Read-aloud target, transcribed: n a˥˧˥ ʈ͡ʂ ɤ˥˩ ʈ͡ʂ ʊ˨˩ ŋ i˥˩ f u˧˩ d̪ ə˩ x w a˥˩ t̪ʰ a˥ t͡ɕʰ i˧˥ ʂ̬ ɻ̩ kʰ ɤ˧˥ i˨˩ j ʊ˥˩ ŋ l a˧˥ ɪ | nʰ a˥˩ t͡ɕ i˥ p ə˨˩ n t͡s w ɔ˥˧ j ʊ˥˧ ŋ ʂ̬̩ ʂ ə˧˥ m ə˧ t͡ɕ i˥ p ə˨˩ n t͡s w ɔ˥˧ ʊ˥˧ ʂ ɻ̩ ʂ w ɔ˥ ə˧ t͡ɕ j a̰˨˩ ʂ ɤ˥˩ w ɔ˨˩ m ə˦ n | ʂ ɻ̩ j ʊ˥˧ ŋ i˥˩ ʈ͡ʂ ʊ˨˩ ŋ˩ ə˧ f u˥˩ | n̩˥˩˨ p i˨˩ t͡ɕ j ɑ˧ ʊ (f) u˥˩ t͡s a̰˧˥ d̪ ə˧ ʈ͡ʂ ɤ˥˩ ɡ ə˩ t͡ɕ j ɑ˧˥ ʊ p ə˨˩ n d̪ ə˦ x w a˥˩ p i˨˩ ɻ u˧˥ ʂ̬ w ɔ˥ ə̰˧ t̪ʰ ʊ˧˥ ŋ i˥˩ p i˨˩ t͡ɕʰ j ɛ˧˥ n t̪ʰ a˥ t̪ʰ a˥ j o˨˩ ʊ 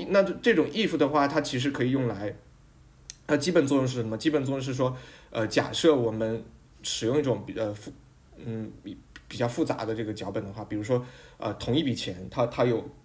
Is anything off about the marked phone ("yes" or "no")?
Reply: no